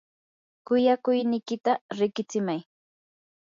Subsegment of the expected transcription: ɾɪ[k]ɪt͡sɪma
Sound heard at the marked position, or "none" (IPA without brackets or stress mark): k